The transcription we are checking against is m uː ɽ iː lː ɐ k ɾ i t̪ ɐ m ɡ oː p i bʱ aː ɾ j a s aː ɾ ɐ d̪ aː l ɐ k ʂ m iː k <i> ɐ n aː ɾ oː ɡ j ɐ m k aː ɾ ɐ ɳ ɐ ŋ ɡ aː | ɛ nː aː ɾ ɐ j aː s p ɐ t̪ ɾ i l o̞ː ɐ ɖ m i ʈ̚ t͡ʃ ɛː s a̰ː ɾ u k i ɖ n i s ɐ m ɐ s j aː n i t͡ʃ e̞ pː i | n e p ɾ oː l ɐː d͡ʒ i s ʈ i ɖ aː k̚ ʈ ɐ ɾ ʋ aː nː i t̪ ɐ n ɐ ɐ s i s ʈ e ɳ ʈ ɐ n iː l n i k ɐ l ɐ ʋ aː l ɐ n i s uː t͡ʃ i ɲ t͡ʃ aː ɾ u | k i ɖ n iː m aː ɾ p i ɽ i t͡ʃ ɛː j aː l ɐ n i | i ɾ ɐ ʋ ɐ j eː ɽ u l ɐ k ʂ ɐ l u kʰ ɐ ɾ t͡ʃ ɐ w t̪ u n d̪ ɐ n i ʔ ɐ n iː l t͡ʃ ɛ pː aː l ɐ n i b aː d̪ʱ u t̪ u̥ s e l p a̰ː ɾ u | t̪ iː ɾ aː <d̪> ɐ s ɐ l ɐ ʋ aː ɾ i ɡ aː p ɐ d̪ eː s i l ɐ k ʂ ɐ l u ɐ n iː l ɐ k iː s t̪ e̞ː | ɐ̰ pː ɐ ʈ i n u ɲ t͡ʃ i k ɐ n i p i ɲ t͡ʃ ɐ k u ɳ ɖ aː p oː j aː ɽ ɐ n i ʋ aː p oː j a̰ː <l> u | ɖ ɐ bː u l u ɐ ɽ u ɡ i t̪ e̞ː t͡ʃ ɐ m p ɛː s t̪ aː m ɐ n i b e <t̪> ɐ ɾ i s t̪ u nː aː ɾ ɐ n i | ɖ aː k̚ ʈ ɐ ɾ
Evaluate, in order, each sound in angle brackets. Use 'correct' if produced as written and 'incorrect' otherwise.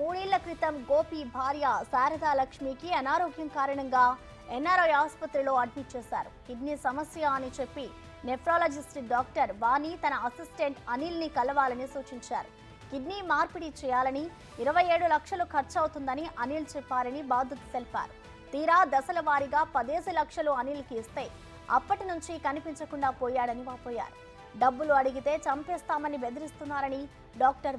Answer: correct, correct, incorrect: ɾ, incorrect: d̪

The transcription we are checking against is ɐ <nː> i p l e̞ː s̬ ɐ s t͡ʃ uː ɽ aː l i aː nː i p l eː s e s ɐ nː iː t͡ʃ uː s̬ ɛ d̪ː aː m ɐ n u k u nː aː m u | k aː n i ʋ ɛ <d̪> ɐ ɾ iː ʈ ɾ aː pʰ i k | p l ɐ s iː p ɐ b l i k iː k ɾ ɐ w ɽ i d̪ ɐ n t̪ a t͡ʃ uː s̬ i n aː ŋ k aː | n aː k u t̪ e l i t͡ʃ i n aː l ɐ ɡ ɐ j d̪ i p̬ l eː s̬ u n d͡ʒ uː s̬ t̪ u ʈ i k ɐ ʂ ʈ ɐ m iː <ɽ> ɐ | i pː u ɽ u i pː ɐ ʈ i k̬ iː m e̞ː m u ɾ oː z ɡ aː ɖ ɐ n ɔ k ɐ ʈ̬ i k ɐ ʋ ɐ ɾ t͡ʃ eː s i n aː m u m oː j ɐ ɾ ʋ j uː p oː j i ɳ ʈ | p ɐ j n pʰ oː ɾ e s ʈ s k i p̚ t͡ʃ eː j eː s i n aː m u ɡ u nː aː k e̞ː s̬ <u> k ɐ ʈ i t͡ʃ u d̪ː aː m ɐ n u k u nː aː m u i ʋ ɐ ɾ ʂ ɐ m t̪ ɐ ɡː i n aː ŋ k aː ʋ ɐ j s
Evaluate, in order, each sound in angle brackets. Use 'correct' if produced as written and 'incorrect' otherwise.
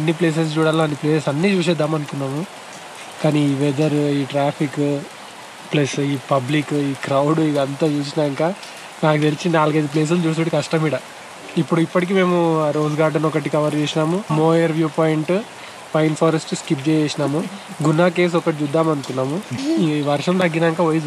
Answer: correct, correct, correct, incorrect: ɔ

